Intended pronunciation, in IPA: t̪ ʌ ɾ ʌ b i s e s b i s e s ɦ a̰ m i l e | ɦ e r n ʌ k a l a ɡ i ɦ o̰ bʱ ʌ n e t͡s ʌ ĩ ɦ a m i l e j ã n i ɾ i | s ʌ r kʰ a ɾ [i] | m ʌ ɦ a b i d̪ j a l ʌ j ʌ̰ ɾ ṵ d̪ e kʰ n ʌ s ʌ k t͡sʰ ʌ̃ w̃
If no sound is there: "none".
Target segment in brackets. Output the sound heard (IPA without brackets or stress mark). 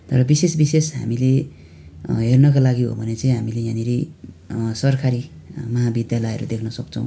i